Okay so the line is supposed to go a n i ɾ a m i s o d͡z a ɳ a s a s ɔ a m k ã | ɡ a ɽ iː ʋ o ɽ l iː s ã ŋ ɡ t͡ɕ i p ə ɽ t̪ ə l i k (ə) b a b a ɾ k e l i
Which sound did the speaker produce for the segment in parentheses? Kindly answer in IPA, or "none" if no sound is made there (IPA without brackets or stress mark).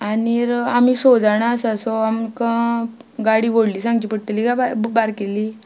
a